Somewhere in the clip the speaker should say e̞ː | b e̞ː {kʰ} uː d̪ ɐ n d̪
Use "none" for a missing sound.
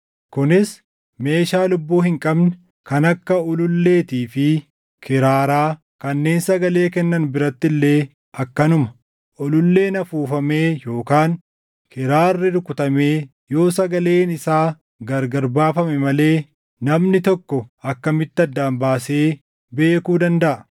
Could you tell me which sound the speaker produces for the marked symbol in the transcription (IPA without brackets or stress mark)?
k